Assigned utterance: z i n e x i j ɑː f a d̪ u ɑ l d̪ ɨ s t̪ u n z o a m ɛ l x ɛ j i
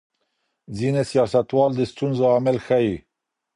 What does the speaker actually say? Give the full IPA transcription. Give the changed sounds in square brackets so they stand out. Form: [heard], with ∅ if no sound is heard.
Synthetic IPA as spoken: z i n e [s] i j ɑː [s] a [t̪] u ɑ l d̪ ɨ s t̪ u n z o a m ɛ l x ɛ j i